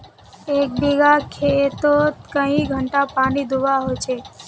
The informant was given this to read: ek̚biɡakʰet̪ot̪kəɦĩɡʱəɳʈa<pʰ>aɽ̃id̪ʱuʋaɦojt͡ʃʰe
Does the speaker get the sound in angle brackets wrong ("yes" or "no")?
yes